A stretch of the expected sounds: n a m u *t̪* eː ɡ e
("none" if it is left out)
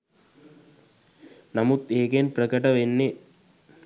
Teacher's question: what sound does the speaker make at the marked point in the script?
t̪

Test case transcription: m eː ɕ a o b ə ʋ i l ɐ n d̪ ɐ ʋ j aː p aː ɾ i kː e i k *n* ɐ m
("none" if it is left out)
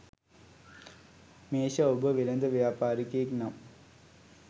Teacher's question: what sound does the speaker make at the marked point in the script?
n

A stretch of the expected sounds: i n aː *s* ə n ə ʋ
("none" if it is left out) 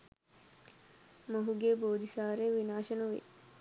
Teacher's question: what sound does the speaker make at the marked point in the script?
ʃ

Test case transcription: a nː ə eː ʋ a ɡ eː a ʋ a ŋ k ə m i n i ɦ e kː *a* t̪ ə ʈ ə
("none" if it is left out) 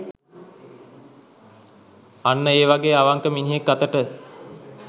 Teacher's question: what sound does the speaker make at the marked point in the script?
a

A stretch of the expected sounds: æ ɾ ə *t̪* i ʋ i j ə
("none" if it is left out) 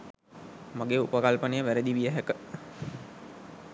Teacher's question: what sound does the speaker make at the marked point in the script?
d̪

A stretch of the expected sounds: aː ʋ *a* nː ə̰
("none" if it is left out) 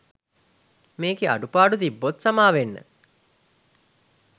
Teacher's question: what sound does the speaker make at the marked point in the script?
e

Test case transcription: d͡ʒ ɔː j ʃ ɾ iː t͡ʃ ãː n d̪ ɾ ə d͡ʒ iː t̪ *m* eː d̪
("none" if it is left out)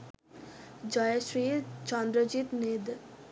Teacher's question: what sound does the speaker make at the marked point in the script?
n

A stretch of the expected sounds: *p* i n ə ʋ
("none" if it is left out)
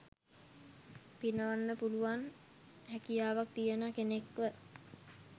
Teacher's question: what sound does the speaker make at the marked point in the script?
p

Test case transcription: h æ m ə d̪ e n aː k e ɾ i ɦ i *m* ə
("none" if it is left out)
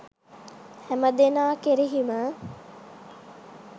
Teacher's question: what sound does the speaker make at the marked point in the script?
m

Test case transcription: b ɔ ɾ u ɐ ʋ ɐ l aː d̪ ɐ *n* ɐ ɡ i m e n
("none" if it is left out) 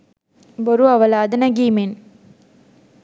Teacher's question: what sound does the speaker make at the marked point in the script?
n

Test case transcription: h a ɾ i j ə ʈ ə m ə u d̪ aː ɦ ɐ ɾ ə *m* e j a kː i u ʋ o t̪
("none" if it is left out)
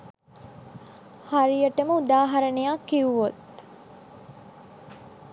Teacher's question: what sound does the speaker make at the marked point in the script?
n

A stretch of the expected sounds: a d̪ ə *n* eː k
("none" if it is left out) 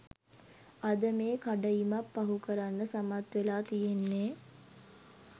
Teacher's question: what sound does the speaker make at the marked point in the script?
m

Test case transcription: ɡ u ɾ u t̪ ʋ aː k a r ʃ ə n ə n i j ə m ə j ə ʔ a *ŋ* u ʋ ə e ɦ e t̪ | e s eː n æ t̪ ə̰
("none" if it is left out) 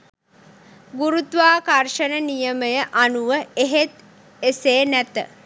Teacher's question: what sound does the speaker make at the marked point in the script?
n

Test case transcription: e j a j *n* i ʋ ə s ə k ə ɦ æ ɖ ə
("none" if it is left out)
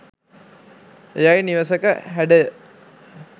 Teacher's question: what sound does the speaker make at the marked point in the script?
n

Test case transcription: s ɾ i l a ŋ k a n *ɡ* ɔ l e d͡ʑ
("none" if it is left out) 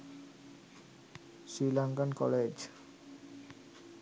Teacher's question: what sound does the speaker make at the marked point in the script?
k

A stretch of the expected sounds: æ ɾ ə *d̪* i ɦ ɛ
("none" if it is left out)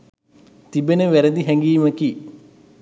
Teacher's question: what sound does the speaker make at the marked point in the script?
d̪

